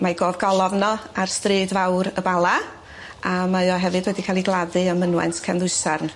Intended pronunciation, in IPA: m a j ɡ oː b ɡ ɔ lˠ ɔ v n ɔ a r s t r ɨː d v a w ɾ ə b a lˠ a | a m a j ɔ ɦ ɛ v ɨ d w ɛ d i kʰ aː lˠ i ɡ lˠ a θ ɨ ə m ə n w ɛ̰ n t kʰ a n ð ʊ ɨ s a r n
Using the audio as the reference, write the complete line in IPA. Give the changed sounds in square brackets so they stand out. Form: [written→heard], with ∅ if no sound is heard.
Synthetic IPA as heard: m a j ɡ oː [b→v] ɡ ɔ lˠ ɔ v n ɔ a r s t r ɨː d v a w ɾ ə b a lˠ a | a m a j ɔ ɦ ɛ v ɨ d w ɛ d i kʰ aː lˠ i ɡ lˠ a [θ→ð] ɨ ə m ə n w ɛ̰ n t kʰ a n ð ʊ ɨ s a r n